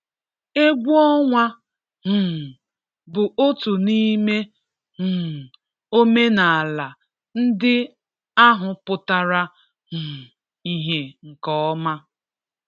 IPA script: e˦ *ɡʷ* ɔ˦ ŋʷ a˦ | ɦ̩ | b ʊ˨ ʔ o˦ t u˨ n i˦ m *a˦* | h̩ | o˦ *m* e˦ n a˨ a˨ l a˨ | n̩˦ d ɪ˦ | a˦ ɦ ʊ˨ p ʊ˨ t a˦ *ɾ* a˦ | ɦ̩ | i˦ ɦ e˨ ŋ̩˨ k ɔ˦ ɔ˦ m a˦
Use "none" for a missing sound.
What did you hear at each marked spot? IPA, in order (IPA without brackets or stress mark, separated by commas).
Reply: ɡʷ, e˦, m, ɾ